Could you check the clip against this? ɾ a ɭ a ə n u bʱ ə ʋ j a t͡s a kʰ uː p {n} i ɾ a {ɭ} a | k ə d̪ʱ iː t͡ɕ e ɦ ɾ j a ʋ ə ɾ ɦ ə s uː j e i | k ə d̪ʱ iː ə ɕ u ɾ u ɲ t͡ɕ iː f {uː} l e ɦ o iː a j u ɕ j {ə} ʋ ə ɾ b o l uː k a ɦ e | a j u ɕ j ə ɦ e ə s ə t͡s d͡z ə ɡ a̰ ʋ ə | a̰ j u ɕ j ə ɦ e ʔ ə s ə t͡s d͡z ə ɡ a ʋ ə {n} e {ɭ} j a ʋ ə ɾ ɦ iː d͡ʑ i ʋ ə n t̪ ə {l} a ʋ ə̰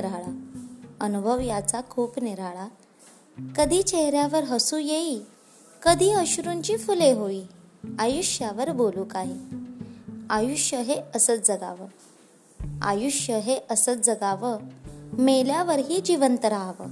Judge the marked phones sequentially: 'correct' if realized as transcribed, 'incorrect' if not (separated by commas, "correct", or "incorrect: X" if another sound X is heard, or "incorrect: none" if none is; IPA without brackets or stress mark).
correct, correct, incorrect: u, incorrect: a, incorrect: m, incorrect: l, incorrect: ɾ